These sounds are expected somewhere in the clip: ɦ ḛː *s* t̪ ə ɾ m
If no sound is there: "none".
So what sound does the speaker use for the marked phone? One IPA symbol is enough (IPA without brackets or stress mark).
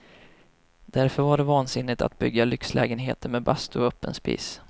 none